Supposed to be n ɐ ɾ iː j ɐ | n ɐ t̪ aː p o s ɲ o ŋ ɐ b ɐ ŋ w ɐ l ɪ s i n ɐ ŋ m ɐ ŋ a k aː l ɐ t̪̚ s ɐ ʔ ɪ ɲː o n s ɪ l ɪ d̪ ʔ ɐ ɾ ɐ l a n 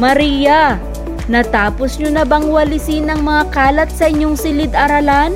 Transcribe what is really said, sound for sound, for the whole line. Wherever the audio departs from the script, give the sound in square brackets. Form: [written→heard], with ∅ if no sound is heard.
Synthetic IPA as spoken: [n→m] ɐ ɾ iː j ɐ | n ɐ t̪ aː p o s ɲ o [ŋ→n] ɐ b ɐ ŋ w ɐ l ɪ s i n ɐ ŋ m ɐ ŋ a k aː l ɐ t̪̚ s ɐ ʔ ɪ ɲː o [n→ŋ] s ɪ l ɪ d̪ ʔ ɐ ɾ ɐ l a n